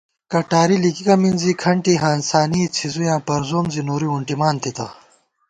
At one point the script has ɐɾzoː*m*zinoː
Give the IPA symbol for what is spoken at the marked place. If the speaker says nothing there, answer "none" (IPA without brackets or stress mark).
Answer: m